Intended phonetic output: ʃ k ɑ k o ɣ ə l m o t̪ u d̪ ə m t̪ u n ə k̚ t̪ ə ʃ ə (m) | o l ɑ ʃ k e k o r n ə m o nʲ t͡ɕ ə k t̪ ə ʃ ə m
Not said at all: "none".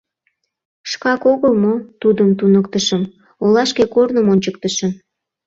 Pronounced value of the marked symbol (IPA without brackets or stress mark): m